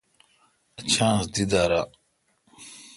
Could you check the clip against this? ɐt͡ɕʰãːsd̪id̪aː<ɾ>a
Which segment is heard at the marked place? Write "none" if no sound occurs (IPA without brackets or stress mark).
ɾ